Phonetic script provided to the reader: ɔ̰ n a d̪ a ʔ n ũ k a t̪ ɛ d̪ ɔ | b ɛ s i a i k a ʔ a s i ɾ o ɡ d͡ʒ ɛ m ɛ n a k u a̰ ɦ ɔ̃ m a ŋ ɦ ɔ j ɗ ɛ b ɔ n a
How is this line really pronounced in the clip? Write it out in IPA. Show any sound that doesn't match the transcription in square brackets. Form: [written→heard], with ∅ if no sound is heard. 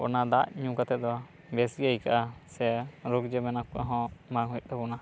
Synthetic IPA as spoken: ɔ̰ n a d̪ a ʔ [n→ɲ] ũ k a t̪ ɛ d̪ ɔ | b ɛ s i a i k a ʔ a s [i→ɛ] ɾ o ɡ d͡ʒ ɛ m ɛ n a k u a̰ ɦ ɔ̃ m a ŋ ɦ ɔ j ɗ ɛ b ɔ n a